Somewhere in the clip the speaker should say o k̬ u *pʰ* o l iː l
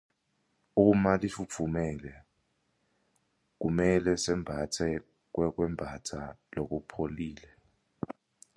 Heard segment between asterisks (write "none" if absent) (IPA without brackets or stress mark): pʰ